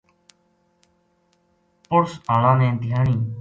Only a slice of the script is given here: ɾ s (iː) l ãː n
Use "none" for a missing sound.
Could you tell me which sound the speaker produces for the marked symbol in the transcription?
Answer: aː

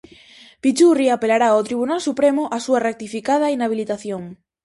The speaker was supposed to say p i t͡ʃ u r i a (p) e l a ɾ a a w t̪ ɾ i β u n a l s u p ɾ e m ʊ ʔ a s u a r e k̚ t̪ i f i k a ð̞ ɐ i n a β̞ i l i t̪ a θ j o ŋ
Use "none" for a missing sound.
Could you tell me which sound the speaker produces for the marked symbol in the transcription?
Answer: p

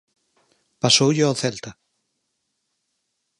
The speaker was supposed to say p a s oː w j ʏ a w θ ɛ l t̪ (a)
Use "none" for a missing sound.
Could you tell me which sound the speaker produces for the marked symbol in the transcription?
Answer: a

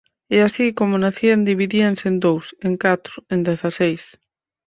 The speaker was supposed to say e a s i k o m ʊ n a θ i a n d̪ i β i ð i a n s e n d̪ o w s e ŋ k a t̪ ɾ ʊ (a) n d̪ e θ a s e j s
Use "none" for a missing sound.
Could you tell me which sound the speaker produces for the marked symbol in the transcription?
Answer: e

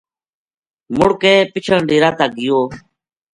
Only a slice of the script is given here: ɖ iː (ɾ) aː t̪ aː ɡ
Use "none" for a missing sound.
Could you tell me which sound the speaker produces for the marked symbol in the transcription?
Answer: ɾ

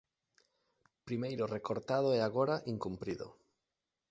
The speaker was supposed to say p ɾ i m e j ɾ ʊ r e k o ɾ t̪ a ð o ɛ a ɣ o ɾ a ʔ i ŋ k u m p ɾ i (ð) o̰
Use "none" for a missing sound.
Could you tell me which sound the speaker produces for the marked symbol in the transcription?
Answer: ð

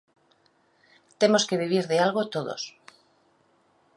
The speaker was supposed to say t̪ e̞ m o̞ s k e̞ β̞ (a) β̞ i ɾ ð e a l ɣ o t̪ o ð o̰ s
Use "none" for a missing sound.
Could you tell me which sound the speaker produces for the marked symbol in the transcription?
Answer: i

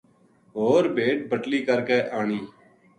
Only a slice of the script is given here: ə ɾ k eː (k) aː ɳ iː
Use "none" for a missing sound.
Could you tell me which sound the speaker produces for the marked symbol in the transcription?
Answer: ʔ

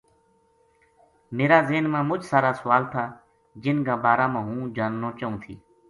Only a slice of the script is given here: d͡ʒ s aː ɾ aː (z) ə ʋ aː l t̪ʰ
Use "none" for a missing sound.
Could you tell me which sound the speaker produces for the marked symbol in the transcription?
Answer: s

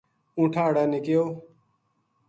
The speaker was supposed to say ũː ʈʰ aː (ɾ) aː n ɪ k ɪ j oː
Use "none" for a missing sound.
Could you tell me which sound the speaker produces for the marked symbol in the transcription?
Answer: ɽ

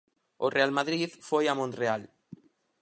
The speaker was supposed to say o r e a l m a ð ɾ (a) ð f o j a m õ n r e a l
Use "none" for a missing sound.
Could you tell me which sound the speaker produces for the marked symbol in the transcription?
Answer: i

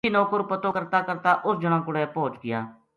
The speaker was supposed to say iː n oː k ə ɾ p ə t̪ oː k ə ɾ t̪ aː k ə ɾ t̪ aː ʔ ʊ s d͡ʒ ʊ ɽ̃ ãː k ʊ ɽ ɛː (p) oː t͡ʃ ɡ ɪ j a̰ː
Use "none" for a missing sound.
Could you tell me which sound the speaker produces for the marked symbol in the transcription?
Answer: p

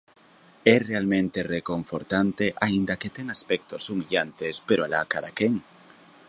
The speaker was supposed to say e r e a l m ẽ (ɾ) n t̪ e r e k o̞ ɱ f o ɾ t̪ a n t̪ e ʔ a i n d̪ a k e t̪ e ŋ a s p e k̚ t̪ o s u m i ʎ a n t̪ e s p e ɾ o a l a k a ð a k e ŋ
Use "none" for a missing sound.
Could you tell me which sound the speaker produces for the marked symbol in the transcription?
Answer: none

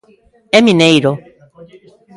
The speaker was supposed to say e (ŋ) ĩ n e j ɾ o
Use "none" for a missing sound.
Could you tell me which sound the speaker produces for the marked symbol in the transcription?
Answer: m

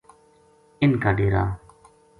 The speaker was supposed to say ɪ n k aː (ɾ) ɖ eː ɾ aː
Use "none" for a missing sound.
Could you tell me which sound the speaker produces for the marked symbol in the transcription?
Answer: none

